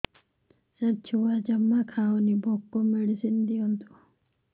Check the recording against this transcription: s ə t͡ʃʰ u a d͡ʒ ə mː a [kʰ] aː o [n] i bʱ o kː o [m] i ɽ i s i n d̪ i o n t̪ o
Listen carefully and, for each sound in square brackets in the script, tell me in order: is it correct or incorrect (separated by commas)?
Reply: correct, correct, correct